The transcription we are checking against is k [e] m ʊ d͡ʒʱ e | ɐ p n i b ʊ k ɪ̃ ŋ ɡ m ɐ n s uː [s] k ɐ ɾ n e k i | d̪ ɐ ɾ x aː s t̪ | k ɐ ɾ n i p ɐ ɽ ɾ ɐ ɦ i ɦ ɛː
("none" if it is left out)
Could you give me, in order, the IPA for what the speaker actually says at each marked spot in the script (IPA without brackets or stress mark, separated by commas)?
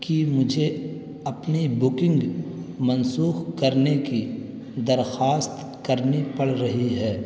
i, x